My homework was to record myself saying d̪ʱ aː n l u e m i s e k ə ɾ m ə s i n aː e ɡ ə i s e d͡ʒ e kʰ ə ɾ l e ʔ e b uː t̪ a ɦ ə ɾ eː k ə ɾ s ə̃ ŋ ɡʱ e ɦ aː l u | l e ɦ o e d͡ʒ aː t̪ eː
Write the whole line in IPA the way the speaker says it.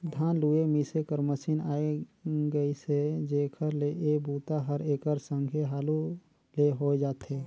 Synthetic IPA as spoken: d̪ʱ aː n l u e m i s e k ə ɾ m ə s i n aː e ɡ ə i s e d͡ʒ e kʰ ə ɾ l e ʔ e b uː t̪ a ɦ ə ɾ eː k ə ɾ s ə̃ ŋ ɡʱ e ɦ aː l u | l e ɦ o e d͡ʒ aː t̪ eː